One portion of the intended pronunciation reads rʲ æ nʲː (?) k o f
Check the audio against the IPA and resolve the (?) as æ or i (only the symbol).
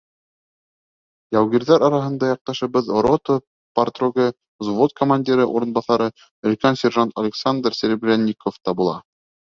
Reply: i